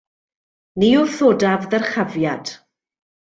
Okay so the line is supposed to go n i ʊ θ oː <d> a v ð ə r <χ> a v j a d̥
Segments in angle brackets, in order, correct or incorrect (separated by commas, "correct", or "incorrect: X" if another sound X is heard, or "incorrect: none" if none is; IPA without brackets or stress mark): correct, correct